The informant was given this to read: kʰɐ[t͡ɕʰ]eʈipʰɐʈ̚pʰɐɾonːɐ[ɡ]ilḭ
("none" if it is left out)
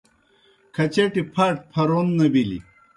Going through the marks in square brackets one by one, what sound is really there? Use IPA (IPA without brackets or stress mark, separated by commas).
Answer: t͡ɕ, b